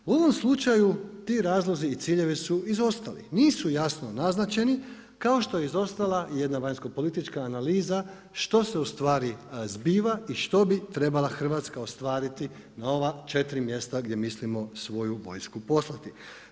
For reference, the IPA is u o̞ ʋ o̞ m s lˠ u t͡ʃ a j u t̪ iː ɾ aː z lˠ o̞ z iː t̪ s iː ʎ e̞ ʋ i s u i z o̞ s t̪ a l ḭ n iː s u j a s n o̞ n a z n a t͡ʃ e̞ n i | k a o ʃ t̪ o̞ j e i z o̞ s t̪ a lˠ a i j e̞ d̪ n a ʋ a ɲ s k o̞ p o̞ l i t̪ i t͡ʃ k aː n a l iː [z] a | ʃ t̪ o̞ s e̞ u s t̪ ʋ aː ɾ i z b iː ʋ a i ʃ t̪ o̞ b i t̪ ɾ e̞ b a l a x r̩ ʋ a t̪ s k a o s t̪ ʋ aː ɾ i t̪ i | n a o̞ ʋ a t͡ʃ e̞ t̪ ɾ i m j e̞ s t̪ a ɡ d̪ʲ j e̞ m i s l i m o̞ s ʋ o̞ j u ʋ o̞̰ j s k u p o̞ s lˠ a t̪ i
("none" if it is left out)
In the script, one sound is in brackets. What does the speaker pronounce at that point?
z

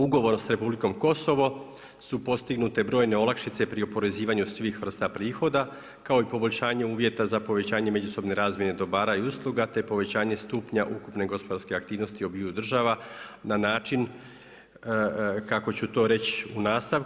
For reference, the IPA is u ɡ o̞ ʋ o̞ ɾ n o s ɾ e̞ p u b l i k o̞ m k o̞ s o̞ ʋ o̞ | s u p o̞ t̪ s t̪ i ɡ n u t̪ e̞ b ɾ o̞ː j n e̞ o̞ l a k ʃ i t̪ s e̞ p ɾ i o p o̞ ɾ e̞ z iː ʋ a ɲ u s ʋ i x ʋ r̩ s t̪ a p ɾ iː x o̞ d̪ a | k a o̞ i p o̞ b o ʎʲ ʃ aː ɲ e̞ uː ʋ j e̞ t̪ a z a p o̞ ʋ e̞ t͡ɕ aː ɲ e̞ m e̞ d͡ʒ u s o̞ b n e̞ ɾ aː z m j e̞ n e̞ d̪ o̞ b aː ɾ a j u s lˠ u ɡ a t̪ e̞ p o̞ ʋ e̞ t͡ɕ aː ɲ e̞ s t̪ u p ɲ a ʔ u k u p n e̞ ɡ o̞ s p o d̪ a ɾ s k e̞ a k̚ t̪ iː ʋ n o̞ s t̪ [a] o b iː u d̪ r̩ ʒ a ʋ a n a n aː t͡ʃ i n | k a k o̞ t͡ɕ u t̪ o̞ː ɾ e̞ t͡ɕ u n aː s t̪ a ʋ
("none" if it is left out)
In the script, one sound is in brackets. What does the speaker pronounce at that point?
i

